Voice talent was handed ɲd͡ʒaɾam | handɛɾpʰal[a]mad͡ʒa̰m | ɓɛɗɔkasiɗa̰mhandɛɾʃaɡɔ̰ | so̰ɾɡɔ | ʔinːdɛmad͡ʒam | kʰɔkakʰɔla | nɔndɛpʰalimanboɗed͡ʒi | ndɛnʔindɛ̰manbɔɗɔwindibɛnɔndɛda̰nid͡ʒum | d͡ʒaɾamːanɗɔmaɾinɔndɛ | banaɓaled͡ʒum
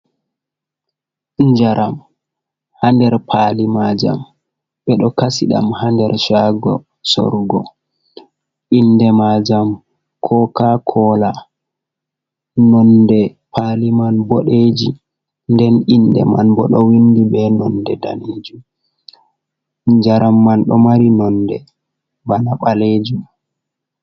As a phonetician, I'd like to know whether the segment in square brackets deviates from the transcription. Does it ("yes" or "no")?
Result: yes